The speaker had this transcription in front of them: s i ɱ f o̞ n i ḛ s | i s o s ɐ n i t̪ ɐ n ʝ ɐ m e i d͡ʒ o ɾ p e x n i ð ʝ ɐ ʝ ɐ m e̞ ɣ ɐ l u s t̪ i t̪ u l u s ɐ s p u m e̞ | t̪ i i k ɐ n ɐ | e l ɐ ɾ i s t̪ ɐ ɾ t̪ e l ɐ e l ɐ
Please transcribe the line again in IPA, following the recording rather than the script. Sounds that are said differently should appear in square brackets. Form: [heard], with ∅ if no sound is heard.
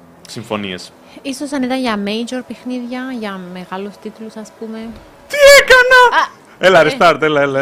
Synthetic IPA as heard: s i ɱ f o̞ n i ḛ s | i s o s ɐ n i t̪ ɐ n ʝ ɐ m e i d͡ʒ o ɾ p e x n i ð ʝ ɐ ʝ ɐ m e̞ ɣ ɐ l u s t̪ i t̪ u l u s ɐ s p u m e̞ | t̪ i [e] k ɐ n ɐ | e l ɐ ɾ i s t̪ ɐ ɾ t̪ e l ɐ e l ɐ